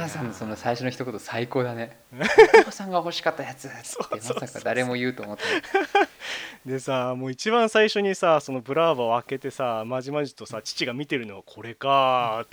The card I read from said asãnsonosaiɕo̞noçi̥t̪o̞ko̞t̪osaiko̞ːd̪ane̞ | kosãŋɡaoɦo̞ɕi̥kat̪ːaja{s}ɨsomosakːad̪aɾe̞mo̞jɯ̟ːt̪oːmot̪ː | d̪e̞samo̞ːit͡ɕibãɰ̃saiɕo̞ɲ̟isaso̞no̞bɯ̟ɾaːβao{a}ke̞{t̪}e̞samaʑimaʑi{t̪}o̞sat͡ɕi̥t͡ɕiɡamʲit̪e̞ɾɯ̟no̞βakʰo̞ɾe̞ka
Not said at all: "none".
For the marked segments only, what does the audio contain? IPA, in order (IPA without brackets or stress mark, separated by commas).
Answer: t͡s, a, t̪, t̪